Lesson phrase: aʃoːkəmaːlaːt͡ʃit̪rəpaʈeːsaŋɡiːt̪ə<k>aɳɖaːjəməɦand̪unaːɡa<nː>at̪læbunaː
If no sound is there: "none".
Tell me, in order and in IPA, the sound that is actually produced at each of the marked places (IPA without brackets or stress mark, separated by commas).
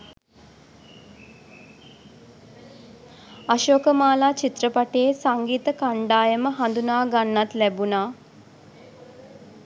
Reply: k, nː